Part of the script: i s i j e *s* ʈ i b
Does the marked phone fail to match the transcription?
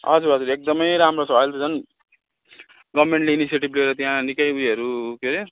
yes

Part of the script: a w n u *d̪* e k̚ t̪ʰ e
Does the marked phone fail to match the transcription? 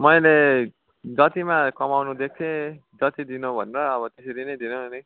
no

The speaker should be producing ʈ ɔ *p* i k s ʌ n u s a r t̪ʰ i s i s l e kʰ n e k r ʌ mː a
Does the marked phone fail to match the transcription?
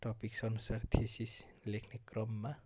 no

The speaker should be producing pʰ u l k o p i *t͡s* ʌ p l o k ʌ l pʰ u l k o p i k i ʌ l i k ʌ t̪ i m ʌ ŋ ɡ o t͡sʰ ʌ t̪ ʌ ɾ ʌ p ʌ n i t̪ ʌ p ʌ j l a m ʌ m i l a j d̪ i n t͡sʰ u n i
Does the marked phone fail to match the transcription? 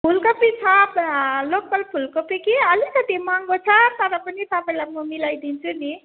yes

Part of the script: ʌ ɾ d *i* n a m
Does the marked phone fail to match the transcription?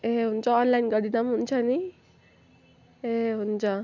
no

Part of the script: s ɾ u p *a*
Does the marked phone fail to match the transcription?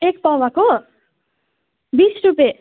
yes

